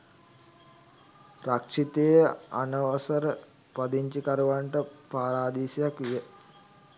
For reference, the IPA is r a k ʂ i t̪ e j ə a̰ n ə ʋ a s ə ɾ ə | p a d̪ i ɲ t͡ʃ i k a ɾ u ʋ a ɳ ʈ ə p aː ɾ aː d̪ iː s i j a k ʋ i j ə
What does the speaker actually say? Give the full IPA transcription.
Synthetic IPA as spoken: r a k ʂ i t̪ e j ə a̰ n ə ʋ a s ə ɾ ə | p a d̪ i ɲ t͡ʃ i k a ɾ u ʋ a ɳ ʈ ə p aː ɾ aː d̪ iː s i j a k ʋ i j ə